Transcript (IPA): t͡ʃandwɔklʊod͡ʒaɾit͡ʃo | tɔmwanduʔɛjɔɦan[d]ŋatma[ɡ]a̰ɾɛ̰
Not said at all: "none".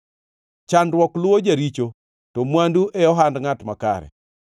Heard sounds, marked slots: d, k

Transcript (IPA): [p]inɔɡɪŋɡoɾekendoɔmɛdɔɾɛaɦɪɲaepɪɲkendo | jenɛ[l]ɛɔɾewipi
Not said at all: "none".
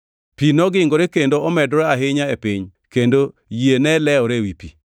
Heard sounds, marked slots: p, l

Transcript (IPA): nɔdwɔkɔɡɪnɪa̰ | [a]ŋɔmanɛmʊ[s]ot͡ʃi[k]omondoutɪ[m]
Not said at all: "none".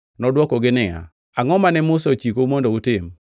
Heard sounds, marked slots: a, s, k, m

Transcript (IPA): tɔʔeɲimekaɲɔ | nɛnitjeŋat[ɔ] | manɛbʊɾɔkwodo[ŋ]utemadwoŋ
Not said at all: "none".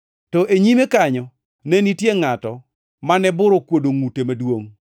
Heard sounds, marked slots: ɔ, ŋ

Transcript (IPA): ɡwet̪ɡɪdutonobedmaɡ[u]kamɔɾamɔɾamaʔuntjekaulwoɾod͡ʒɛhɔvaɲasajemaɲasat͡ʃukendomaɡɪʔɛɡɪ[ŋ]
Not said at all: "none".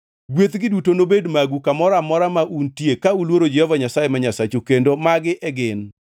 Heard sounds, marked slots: u, n

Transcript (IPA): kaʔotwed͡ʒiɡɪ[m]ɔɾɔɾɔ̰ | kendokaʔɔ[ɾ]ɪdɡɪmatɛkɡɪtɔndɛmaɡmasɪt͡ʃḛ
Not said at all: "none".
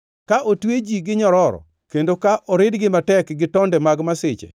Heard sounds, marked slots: ɲ, ɾ

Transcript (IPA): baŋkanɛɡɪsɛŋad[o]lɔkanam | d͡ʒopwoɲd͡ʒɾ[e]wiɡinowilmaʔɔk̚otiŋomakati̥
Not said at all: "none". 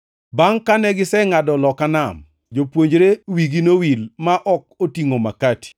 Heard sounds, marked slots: ɔ, e

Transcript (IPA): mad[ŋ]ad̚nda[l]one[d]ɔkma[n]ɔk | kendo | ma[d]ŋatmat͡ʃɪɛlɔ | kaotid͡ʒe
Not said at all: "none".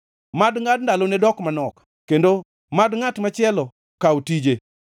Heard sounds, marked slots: ŋ, l, d, n, d

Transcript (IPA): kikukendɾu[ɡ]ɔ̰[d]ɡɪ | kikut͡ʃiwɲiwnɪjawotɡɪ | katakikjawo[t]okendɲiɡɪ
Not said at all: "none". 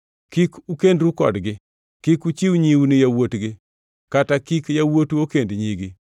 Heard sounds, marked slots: k, d, t

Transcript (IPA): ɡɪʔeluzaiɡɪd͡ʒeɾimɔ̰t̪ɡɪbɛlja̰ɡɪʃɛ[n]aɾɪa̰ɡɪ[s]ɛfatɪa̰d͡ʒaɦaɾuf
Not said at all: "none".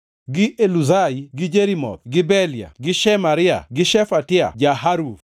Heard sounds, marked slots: m, ʃ

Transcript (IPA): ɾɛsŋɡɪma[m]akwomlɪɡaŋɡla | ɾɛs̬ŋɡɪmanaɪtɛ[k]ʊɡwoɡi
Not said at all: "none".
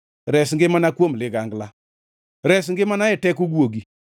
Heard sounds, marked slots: n, k

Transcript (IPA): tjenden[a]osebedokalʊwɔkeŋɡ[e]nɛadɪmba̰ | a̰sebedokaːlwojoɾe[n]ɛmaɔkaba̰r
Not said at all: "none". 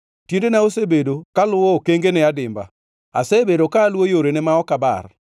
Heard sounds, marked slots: a, e, n

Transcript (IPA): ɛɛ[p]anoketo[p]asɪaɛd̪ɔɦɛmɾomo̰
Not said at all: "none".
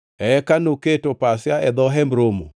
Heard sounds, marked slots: k, p

